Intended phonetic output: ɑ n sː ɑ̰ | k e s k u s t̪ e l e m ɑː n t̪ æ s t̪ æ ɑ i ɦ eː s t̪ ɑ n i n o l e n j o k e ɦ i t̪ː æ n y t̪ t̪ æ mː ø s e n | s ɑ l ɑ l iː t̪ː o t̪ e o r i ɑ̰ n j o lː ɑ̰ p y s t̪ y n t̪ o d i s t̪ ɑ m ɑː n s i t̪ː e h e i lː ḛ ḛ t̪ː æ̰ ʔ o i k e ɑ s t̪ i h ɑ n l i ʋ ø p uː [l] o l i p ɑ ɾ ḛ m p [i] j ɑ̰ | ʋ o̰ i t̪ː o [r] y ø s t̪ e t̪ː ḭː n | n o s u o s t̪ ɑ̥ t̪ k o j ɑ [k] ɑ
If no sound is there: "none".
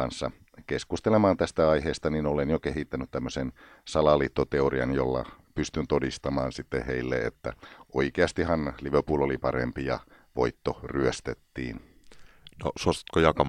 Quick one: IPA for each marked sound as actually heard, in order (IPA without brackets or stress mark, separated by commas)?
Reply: l, i, r, k